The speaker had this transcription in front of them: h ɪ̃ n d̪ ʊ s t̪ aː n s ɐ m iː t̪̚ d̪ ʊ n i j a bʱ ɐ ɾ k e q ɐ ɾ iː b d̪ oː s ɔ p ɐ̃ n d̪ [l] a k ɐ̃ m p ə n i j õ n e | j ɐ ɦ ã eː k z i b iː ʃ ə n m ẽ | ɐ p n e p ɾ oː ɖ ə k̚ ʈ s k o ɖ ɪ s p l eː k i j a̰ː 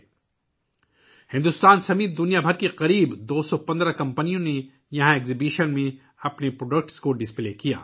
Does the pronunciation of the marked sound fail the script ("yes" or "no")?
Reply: yes